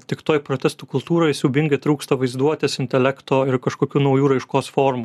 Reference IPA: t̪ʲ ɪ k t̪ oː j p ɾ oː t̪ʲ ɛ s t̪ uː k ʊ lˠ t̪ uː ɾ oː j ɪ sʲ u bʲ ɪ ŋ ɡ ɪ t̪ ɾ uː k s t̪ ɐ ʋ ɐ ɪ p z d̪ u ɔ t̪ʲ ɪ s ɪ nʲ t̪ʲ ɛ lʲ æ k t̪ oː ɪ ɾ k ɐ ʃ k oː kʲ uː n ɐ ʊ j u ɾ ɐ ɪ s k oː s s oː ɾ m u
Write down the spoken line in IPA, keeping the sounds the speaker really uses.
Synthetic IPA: t̪ʲ ɪ k t̪ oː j p ɾ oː t̪ʲ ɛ s t̪ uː k ʊ lˠ t̪ uː ɾ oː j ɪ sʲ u bʲ ɪ ŋ ɡ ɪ t̪ ɾ uː k s t̪ ɐ ʋ ɐ ɪ z d̪ u ɔ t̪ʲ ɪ s ɪ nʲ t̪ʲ ɛ lʲ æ k t̪ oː ɪ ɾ k ɐ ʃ k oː kʲ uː n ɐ ʊ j uː ɾ ɐ ɪ ʃ k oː s f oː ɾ m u

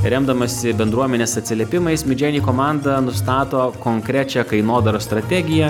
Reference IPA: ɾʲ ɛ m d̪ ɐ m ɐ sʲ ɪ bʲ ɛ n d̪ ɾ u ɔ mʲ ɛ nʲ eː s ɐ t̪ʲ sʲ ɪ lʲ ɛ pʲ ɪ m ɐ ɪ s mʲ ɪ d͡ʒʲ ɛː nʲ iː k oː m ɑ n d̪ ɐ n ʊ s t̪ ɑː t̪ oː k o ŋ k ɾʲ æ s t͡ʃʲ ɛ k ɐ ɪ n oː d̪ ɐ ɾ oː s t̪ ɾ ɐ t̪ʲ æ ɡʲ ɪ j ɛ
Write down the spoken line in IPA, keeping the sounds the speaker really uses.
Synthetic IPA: ɾʲ ɛ m d̪ ɐ m ɐ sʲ ɪ bʲ ɛ n d̪ ɾ u ɔ mʲ ɛ nʲ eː s ɐ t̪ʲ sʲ ɪ lʲ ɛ pʲ ɪ m ɐ ɪ s mʲ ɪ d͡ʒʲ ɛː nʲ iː k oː m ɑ n d̪ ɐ n ʊ s t̪ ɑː t̪ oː k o ŋ k ɾʲ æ t͡ʃʲ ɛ k ɐ ɪ n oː d̪ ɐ ɾ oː s t̪ ɾ ɐ t̪ʲ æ ɡʲ ɪ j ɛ

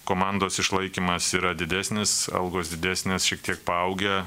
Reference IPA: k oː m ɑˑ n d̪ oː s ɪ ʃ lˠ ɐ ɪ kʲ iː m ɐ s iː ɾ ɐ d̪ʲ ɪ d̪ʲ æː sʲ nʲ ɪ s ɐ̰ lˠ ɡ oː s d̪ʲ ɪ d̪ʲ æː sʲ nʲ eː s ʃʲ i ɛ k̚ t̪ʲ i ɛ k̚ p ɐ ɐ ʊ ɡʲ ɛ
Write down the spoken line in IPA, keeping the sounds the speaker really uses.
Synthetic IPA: k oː m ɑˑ n d̪ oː s ɪ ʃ lˠ ɐ ɪ kʲ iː m ɐ s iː ɾ ɐ d̪ʲ ɪ d̪ʲ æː sʲ nʲ ɪ s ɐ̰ lˠ ɡ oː s d̪ʲ ɪ d̪ʲ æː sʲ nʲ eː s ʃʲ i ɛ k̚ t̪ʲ i ɛ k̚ p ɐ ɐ ʊ ɡʲ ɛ

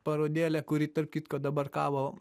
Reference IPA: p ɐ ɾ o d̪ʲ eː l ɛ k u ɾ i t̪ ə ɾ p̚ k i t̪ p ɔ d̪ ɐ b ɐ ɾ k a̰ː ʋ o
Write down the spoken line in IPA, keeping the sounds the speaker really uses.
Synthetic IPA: p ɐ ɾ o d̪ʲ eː l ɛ k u ɾ i t̪ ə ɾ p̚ k i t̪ k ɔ d̪ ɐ b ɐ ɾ k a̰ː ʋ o

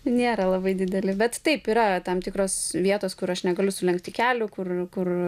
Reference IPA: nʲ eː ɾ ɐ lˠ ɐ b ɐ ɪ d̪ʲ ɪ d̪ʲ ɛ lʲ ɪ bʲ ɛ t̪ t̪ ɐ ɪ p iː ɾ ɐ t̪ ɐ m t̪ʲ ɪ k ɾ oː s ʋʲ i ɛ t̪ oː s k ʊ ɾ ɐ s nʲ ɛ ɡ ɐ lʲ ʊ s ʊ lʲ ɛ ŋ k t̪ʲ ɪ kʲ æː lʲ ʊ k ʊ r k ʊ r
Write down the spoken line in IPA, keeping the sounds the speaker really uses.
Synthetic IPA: nʲ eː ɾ ɐ lˠ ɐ b ɐ ɪ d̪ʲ ɪ d̪ʲ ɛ lʲ ɪ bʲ ɛ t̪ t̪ ɐ ɪ p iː ɾ ɐ t̪ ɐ m t̪ʲ ɪ k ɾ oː s ʋʲ i ɛ t̪ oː s k ʊ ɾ ɐ ʃ nʲ ɛ ɡ ɐ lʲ ʊ s ʊ lʲ ɛ ŋ k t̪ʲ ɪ kʲ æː lʲ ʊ k ʊ r k ʊ r

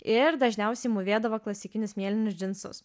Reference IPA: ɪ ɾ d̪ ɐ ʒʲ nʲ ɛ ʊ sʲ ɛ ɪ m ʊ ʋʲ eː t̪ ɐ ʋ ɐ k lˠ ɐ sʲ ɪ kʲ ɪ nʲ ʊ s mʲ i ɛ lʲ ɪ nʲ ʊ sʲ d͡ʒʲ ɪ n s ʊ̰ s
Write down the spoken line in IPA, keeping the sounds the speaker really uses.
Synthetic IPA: ɪ ɾ d̪ ɐ ʒʲ nʲ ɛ ʊ sʲ ɛ ɪ m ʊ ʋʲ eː d̪ ɐ ʋ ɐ k lˠ ɐ sʲ ɪ kʲ ɪ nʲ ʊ s mʲ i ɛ lʲ ɪ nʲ ʊ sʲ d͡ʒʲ ɪ n s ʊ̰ s

